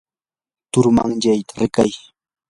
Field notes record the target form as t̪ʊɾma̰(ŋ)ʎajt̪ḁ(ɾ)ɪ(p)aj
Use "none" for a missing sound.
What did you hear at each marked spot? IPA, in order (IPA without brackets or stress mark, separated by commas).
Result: ŋ, ɾ, k